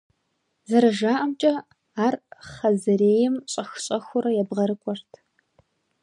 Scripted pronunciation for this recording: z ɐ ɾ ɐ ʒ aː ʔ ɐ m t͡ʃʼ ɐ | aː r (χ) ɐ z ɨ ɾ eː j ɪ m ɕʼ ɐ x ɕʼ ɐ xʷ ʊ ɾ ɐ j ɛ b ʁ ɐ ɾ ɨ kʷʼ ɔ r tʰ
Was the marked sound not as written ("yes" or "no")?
no